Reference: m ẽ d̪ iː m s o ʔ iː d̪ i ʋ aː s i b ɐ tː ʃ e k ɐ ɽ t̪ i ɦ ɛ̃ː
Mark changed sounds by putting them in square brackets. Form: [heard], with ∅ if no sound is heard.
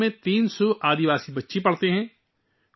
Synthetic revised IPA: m ẽ [t̪] iː [n] s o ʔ [aː] d̪ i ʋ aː s i b ɐ tː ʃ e [p] ɐ ɽ t̪ [e] ɦ ɛ̃ː